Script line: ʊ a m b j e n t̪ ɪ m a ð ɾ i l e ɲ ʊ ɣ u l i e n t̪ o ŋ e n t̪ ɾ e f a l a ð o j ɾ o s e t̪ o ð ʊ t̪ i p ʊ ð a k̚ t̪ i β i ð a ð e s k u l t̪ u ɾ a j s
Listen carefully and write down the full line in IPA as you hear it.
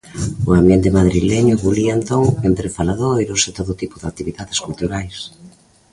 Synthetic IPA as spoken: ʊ a m b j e n t̪ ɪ m a ð ɾ i l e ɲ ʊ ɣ u l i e n t̪ o ŋ e n t̪ ɾ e f a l a ð o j ɾ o s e t̪ o ð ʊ t̪ i p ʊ ð a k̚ t̪ i β i ð a ð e s k u l t̪ u ɾ a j s

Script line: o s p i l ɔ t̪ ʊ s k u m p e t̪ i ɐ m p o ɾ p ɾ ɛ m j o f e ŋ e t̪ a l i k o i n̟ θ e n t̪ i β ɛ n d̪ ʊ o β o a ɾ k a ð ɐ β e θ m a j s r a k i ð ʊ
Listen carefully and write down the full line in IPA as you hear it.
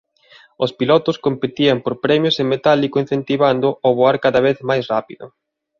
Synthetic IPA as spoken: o s p i l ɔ t̪ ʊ s k o m p e t̪ i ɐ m p o ɾ p ɾ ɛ m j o s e m e t̪ a l i k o i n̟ θ e n t̪ i β a n d̪ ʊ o β o a ɾ k a ð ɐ β e θ m a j s r a p i ð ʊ

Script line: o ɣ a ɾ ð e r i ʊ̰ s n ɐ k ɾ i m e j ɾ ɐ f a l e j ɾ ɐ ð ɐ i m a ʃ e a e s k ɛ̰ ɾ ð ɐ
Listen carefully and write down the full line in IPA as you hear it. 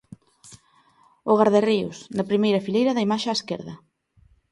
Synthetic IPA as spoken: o ɣ a ɾ ð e r i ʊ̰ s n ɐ p ɾ i m e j ɾ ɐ f i l e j ɾ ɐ ð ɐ i m a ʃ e a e s k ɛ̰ ɾ ð ɐ

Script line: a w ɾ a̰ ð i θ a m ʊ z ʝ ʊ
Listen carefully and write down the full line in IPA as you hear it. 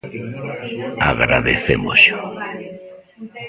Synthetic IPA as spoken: a ɣ ɾ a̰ ð e θ e m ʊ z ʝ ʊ

